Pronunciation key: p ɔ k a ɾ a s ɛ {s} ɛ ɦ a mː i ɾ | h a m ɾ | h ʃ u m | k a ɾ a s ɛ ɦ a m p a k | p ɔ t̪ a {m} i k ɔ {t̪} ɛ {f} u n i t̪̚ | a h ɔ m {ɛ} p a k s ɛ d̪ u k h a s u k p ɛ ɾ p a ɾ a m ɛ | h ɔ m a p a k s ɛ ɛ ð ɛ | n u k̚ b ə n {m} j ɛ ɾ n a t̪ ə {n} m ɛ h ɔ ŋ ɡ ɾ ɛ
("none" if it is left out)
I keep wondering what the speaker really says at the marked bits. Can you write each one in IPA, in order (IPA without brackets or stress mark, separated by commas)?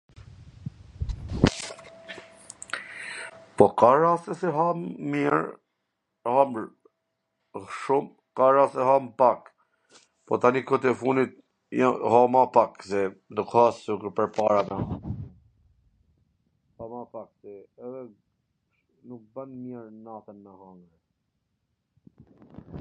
s, n, t̪, f, a, m, n